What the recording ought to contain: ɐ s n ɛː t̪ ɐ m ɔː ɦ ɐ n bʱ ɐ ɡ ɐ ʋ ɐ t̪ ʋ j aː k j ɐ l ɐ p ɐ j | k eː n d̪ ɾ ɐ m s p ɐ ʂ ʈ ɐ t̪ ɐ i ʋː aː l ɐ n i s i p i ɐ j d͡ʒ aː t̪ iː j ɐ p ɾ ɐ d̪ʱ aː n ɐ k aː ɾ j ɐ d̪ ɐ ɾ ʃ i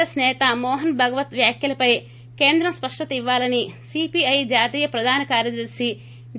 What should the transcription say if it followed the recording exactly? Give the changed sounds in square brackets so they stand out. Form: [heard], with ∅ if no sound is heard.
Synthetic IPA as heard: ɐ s n ɛː t̪ ɐ m ɔː ɦ ɐ n bʱ ɐ ɡ ɐ ʋ ɐ t̪ ʋ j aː k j ɐ l ɐ p ɐ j | k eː n d̪ ɾ ɐ m s p ɐ ʂ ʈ ɐ t̪ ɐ i ʋː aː l ɐ n i s i p i ɐ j d͡ʒ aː t̪ iː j ɐ p ɾ ɐ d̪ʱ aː n ɐ k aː ɾ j ɐ d̪ ɐ ɾ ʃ i